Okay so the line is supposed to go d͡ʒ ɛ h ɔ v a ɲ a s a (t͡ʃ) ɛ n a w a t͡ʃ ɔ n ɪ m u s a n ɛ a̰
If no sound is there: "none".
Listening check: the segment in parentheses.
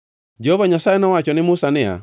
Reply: none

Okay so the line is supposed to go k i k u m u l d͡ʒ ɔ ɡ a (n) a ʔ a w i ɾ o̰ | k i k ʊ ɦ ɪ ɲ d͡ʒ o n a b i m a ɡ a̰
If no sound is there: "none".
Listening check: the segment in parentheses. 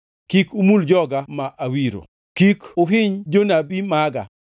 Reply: m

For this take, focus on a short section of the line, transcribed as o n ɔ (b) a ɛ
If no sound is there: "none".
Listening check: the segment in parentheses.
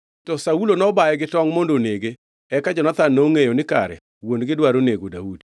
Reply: b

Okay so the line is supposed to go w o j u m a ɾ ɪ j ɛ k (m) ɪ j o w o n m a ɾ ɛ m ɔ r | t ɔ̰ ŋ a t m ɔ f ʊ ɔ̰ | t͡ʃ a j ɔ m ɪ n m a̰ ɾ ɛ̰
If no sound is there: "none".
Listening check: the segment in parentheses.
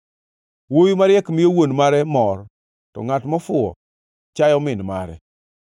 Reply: m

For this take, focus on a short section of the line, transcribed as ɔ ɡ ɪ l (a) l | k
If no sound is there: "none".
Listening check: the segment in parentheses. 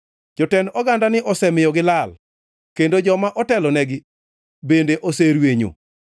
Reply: a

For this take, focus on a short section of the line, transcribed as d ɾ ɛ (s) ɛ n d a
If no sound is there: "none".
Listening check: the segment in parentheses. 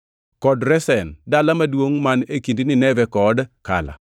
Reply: s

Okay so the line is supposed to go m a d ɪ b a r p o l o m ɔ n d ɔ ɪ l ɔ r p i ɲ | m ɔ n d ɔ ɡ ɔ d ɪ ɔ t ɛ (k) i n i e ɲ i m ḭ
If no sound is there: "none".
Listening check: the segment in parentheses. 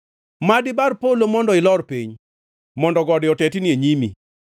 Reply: t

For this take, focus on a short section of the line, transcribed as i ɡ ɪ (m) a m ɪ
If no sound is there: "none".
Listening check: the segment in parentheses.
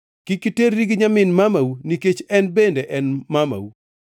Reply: ɲ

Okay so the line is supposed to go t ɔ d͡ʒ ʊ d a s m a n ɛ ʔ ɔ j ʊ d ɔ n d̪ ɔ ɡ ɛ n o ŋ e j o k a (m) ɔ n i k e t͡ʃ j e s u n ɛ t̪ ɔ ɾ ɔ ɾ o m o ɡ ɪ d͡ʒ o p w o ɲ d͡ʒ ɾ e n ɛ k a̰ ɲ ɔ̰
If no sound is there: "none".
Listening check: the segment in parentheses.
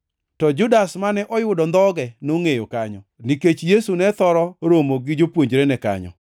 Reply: ɲ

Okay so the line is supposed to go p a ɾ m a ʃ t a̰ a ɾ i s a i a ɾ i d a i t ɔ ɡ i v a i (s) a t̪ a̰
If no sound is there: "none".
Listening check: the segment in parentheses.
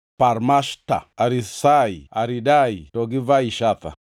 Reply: ʃ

